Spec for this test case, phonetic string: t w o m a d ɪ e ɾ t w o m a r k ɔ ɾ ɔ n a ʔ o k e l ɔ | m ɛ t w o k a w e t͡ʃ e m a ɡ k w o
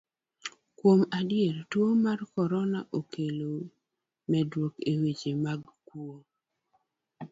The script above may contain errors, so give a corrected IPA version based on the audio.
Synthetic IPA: k w o m a d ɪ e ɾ t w o m a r k ɔ ɾ ɔ n a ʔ o k e l o | m ɛ d w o k e w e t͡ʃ e m a ɡ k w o

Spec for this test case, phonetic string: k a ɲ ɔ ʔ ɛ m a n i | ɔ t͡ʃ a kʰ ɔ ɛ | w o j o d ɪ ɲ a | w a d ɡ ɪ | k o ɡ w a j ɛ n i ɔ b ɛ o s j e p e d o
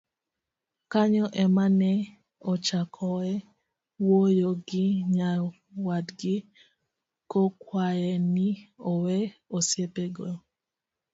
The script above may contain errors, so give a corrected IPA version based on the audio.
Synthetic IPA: k a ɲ ɔ ʔ ɛ m a n ɛ | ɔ t͡ʃ a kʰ ɔ ɛ | w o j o ɡ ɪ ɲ a | w a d ɡ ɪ | k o k w a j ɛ n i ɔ w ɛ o s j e p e ɡ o

